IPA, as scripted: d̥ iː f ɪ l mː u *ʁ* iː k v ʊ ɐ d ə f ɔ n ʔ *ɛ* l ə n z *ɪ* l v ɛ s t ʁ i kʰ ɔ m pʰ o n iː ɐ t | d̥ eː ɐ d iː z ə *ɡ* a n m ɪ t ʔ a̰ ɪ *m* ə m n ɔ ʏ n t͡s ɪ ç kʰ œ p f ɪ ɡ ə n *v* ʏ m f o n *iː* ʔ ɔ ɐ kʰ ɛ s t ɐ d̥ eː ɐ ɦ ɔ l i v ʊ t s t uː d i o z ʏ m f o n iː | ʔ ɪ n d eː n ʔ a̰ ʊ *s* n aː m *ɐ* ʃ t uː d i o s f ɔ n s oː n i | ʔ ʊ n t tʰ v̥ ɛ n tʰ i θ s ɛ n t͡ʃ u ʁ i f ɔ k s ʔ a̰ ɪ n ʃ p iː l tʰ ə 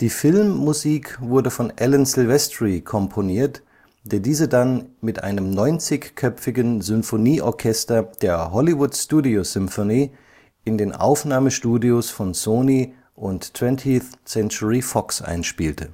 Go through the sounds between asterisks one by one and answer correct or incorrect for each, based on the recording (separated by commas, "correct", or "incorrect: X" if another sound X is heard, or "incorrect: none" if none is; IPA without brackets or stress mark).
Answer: incorrect: z, correct, correct, incorrect: d, incorrect: n, incorrect: z, correct, incorrect: f, incorrect: ə